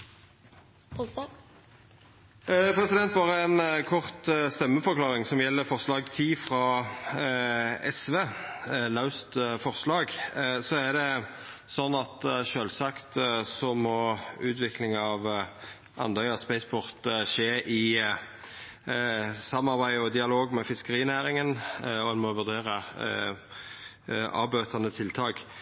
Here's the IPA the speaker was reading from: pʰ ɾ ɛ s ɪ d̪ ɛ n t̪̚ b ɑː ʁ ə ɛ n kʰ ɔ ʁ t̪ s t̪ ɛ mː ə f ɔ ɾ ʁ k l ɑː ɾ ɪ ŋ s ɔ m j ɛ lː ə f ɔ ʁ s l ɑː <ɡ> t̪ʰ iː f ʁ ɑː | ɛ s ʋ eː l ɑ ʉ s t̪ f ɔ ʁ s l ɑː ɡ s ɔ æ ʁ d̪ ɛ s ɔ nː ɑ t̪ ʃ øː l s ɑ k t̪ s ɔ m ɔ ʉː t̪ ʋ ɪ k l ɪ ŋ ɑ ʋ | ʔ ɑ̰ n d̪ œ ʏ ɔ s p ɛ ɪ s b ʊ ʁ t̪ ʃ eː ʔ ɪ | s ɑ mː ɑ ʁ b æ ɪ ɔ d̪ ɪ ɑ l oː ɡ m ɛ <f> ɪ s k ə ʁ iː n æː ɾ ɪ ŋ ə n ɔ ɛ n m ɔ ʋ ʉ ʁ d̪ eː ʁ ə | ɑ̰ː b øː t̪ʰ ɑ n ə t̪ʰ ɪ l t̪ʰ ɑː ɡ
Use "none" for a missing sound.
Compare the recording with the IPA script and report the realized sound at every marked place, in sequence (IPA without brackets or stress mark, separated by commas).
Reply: ɡ, f